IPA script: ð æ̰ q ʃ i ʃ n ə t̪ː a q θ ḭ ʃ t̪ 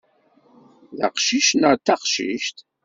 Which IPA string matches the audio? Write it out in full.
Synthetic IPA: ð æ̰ q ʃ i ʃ n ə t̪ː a q ʃ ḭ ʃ t̪

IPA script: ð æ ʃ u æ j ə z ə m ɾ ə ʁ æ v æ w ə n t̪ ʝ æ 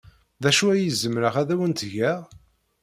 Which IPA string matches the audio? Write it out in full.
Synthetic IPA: ð æ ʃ u æ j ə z ə m ɾ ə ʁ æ ð æ w ə n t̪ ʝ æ

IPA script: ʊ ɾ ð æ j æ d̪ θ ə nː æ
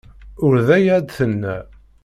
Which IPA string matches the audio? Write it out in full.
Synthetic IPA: ʊ ɾ ð æ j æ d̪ θ ə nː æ

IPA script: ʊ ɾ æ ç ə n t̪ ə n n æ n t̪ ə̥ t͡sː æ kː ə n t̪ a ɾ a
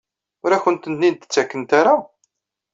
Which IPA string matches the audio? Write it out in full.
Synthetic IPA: ʊ ɾ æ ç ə n t̪ ə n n i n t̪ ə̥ t͡sː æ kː ə n t̪ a ɾ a

